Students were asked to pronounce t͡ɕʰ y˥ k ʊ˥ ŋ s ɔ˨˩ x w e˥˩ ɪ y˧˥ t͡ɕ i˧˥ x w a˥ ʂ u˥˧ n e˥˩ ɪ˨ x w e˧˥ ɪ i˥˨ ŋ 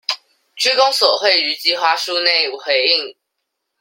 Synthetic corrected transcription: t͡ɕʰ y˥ k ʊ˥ ŋ s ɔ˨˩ x w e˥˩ ɪ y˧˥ t͡ɕ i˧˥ x w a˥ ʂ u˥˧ n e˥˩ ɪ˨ x w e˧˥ ɪ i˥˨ ŋ

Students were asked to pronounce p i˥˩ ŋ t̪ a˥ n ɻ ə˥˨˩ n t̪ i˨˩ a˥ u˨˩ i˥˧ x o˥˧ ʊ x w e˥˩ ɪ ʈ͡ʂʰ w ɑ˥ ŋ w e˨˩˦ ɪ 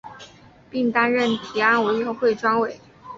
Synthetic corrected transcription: p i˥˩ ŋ t̪ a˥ n ɻ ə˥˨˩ n t̪ʰ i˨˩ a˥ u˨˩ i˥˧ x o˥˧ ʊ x w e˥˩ ɪ ʈ͡ʂ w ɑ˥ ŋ w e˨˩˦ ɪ

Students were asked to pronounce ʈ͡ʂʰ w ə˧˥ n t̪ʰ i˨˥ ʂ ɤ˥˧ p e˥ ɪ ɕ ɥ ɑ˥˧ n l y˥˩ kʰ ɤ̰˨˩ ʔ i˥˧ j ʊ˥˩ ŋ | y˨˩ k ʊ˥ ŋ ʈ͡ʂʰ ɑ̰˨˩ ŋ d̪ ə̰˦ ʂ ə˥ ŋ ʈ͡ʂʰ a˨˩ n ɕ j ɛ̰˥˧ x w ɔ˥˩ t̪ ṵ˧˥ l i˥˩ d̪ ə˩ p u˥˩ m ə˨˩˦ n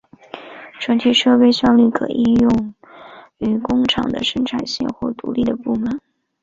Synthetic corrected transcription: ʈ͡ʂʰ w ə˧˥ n t̪ʰ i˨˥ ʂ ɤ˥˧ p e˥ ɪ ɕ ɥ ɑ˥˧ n l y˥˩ kʰ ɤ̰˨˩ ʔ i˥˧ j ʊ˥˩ ŋ | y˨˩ k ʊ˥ ŋ ʈ͡ʂʰ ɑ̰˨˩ ŋ d̪ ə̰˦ ʂ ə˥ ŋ ʈ͡ʂʰ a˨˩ n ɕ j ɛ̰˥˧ x w ɔ˥˩ t̪ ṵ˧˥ l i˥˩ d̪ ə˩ p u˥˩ m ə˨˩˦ n

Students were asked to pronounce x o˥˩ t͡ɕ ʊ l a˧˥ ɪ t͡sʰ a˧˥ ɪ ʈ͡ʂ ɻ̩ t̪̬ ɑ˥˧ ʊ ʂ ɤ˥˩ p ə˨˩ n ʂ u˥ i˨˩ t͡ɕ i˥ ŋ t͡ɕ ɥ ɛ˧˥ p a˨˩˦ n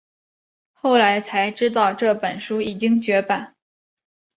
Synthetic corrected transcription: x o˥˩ ʊ l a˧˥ ɪ t͡sʰ a˧˥ ɪ ʈ͡ʂ ɻ̩ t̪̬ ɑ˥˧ ʊ ʈ͡ʂ ɤ˥˩ p ə˨˩ n ʂ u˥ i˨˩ t͡ɕ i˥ ŋ t͡ɕ ɥ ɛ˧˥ p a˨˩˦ n

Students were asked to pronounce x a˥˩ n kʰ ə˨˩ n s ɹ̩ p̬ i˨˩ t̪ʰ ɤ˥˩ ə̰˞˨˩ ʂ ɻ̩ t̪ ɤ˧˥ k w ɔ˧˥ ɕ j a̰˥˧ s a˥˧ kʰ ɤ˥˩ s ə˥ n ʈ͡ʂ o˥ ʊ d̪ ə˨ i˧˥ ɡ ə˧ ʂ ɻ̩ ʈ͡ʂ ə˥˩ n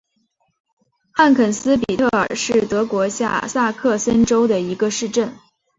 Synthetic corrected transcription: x a˥˩ n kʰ ə˨˩ n s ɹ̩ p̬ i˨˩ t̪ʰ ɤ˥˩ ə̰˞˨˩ ʂ ɻ̩ t̪ ɤ˧˥ k w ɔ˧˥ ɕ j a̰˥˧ s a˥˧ kʰ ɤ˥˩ s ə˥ n ʈ͡ʂ o˥ ʊ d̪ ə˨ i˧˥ ɡ ə˧ ʂ ɻ̩ ʈ͡ʂ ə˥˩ n

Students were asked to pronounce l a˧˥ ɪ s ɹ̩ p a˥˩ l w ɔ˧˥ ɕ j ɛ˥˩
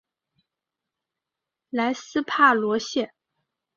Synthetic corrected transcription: l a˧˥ ɪ s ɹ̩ pʰ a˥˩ l w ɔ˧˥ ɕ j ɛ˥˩

